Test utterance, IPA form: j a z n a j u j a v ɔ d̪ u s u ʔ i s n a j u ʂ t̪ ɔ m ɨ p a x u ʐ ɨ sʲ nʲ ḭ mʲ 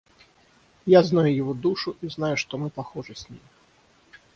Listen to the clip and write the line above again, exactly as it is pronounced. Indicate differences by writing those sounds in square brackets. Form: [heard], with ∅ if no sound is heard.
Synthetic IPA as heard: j a z n a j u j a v ɔ d̪ u [ʂ] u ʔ i [z] n a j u ʂ t̪ ɔ m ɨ p a x [ɔ] ʐ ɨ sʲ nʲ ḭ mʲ